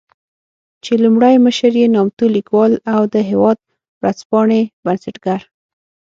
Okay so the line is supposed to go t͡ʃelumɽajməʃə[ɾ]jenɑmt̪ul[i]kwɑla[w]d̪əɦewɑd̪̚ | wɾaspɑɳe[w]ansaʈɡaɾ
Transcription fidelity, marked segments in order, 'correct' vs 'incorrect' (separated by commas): correct, correct, correct, incorrect